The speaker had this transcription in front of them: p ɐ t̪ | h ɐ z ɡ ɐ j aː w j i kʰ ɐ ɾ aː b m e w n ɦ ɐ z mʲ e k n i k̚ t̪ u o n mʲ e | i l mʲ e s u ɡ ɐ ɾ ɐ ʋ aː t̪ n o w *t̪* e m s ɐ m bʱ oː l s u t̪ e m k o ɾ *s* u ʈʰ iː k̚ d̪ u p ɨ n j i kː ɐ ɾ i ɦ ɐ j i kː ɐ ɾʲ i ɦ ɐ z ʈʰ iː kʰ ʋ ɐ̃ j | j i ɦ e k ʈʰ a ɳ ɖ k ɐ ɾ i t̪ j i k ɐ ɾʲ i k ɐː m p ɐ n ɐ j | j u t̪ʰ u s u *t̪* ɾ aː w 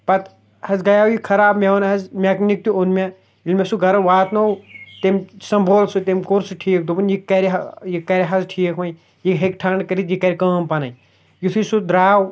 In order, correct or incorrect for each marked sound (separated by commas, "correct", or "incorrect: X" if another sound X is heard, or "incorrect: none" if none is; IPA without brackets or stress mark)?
correct, correct, incorrect: d̪